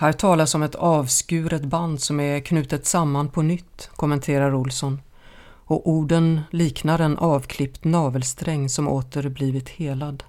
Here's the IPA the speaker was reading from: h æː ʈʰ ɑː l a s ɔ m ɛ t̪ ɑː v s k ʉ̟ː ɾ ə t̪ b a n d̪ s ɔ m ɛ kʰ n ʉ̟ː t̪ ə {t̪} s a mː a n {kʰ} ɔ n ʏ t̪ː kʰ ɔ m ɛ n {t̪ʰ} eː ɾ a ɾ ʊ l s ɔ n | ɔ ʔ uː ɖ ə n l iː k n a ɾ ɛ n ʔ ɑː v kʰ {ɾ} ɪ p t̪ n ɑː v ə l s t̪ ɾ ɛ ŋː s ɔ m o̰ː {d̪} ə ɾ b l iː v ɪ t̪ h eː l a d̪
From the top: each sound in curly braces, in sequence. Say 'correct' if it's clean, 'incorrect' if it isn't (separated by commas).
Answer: correct, incorrect, correct, incorrect, incorrect